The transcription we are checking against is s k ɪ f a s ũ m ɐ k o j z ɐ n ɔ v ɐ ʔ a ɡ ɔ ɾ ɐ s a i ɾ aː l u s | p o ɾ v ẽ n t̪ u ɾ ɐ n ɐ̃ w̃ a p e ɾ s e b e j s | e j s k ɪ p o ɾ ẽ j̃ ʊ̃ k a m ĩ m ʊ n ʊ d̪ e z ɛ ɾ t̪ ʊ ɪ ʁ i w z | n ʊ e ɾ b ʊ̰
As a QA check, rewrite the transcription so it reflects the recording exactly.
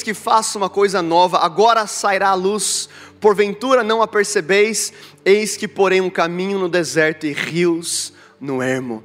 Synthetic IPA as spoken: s k ɪ f a s ũ m ɐ k o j z ɐ n ɔ v ɐ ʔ a ɡ ɔ ɾ ɐ s a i ɾ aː l u s | p o ɾ v ẽ n t̪ u ɾ ɐ n ɐ̃ w̃ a p e ɾ s e b e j s | e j s k ɪ p o ɾ ẽ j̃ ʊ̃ k a m ĩ ɲ ʊ n ʊ d̪ e z ɛ ɾ t̪ ʊ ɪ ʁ i w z | n ʊ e ɾ m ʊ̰